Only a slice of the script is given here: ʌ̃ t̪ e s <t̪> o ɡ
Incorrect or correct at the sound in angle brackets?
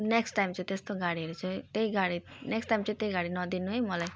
correct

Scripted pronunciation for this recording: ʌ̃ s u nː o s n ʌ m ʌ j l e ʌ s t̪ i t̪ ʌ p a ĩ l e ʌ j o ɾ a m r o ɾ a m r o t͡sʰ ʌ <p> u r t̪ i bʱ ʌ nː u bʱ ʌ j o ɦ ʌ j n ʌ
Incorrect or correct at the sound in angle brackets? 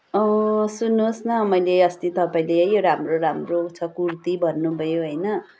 incorrect: k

